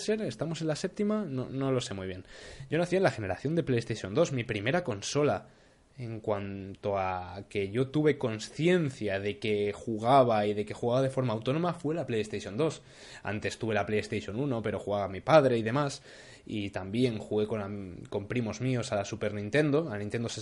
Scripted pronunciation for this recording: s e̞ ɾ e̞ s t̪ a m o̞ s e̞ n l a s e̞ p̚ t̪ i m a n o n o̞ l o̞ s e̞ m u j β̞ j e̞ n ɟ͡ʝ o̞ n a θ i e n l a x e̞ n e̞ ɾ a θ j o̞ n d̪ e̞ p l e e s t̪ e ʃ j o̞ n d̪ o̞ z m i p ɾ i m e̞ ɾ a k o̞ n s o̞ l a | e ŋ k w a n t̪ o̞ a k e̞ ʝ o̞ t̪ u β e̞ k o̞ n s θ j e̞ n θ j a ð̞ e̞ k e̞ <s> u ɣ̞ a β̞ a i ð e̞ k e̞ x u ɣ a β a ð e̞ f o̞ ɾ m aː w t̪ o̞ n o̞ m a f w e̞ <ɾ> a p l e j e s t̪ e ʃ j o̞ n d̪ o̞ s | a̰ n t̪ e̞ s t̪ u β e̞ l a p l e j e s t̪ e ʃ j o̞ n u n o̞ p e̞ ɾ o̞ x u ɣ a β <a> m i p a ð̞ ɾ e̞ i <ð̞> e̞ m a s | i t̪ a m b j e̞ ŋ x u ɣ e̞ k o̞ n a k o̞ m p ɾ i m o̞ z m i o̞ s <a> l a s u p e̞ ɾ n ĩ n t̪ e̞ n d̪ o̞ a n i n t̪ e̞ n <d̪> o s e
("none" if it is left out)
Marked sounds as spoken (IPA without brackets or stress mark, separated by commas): x, l, a, ð̞, a, d̪